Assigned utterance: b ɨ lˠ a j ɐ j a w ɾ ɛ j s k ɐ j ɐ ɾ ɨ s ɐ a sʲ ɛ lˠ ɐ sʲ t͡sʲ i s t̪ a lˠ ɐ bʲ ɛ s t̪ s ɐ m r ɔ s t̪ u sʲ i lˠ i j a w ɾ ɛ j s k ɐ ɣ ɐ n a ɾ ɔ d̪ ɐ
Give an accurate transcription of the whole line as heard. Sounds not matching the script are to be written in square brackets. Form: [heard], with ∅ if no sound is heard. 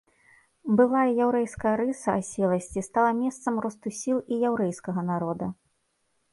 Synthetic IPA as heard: b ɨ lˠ a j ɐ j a w ɾ ɛ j s k ɐ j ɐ ɾ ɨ s ɐ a sʲ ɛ lˠ ɐ sʲ t͡sʲ i s t̪ a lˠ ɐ [mʲ] ɛ s t̪ s ɐ m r ɔ s t̪ u sʲ i lˠ i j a w ɾ ɛ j s k ɐ ɣ ɐ n a ɾ ɔ d̪ ɐ